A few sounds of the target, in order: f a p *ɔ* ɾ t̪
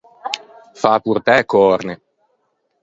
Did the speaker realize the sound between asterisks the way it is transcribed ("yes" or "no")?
no